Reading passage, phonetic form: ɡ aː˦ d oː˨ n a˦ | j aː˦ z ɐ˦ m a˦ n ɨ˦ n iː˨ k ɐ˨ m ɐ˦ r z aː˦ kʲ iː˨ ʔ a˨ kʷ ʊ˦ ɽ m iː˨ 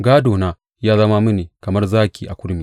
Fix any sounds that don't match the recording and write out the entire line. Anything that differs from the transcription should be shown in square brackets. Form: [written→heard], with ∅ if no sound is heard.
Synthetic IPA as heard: ɡ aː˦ d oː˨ n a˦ | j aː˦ z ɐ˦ m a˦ [n→m] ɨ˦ n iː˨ k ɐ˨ m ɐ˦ r z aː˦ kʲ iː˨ ʔ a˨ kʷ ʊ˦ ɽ m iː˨